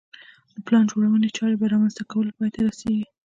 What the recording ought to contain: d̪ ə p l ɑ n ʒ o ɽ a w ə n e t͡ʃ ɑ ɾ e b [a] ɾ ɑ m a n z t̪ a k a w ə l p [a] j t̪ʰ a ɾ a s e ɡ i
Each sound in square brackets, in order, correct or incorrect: correct, incorrect

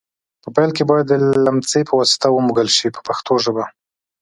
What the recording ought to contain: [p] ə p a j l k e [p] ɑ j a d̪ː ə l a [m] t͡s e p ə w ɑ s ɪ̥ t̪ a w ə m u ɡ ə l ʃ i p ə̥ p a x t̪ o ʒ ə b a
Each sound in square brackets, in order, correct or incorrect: correct, incorrect, correct

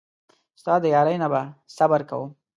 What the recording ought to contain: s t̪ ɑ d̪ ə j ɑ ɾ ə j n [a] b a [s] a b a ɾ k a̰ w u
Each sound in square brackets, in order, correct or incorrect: correct, correct

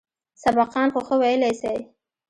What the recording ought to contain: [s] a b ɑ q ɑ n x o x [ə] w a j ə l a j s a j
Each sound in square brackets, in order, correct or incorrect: correct, correct

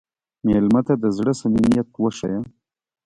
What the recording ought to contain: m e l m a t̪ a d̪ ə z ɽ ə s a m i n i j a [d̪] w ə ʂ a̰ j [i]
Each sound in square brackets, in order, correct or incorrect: incorrect, incorrect

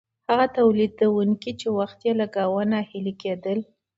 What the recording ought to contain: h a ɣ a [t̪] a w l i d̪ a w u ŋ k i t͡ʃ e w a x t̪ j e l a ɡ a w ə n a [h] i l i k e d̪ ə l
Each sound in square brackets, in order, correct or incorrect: correct, correct

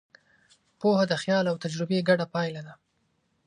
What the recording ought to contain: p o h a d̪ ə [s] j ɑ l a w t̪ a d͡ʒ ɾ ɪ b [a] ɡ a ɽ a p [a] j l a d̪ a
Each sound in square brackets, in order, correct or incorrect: incorrect, incorrect, incorrect

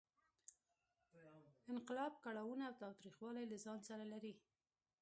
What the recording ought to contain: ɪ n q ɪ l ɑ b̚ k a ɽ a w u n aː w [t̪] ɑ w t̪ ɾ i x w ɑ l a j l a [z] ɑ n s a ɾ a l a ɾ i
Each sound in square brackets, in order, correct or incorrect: correct, correct

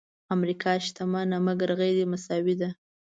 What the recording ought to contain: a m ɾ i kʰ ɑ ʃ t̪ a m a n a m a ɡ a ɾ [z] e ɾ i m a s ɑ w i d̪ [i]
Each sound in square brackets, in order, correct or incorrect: incorrect, incorrect

